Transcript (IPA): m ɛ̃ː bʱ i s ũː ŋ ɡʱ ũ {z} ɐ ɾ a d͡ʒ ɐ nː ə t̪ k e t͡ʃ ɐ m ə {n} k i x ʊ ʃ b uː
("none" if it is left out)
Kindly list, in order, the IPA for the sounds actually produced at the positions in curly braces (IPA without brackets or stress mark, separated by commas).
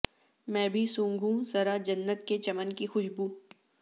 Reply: z, n